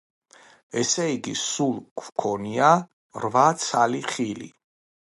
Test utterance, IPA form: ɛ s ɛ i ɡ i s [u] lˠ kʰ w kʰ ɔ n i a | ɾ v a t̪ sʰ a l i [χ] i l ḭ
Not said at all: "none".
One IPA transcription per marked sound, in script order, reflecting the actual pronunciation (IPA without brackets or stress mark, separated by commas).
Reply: u, χ